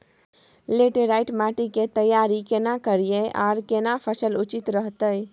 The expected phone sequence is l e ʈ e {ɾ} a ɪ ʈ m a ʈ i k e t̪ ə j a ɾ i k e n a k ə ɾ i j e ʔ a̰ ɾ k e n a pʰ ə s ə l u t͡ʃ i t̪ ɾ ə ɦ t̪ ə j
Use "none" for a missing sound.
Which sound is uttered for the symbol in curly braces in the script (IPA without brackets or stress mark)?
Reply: ɾ